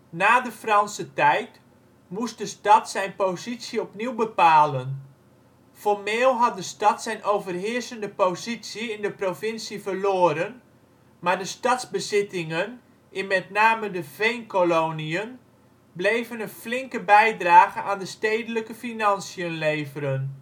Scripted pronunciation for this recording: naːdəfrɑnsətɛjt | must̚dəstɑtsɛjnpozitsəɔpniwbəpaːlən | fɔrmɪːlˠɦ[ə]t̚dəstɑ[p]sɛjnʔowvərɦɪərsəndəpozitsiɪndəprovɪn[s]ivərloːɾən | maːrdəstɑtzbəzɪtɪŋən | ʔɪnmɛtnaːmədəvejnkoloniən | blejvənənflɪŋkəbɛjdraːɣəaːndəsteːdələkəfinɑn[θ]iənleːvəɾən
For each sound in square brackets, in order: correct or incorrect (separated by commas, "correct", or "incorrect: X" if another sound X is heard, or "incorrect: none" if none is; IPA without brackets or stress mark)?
incorrect: ɑ, incorrect: t, correct, incorrect: s